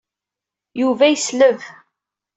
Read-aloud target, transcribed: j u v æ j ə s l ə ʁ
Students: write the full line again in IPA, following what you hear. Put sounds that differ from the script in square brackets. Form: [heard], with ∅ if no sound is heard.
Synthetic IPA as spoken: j u v æ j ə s l ə [v]